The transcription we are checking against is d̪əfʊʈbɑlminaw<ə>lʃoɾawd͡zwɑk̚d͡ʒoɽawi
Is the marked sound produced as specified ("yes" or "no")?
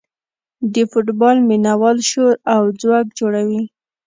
no